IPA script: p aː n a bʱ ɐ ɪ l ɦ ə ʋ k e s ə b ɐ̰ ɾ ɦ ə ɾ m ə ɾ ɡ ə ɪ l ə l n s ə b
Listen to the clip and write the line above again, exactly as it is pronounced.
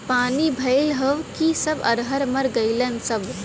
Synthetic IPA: p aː n i bʱ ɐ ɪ l ɦ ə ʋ k i s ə b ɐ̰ ɾ ɦ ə ɾ m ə ɾ ɡ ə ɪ l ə n s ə b